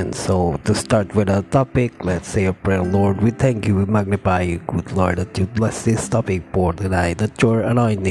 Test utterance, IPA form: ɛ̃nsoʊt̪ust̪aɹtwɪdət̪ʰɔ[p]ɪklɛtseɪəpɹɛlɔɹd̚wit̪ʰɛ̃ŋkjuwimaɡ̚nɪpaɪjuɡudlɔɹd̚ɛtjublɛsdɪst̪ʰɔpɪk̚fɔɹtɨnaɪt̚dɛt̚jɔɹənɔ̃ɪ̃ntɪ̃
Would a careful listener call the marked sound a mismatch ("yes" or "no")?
no